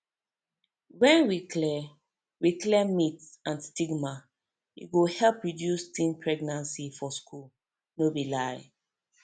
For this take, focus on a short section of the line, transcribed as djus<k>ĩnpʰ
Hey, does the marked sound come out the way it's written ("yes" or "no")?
no